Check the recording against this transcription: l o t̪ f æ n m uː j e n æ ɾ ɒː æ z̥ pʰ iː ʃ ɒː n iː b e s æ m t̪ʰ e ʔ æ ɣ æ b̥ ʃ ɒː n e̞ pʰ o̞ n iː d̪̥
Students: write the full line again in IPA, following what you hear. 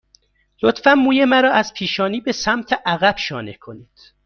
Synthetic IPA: l o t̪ f æ n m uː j e m æ ɾ ɒː æ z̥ pʰ iː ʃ ɒː n iː b e s æ m t̪ʰ e ʔ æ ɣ æ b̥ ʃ ɒː n e̞ kʰ o̞ n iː d̪̥